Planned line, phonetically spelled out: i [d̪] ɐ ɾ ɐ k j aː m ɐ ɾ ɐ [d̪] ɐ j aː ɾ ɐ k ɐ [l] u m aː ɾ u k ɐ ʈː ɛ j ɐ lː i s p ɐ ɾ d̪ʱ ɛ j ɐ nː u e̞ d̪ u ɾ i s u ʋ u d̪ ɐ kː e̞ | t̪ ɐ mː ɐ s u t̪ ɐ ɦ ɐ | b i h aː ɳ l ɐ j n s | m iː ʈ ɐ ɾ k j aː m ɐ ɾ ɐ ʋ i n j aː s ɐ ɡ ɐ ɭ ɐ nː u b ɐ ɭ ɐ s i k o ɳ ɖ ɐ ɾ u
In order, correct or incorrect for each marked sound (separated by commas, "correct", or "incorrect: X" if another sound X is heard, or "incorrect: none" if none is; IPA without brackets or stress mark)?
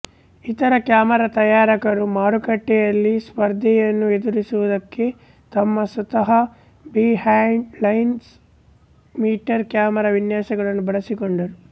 incorrect: t̪, incorrect: t̪, incorrect: ɾ